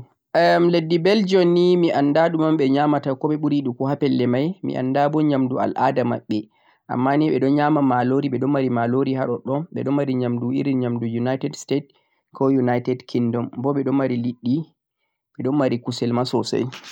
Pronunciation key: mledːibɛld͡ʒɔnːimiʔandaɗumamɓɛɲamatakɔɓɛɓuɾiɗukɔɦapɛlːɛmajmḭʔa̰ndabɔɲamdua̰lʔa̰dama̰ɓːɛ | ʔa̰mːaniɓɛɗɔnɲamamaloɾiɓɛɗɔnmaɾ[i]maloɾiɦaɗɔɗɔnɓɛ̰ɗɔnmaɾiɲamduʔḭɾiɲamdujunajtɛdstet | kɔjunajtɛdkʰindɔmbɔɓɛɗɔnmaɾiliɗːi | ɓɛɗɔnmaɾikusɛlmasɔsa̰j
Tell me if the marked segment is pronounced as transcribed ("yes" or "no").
yes